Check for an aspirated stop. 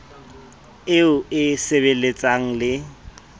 absent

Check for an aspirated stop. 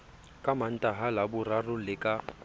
absent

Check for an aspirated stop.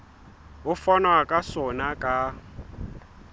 absent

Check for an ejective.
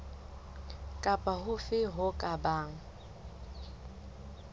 present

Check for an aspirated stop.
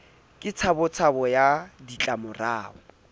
present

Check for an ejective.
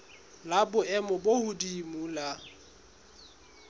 absent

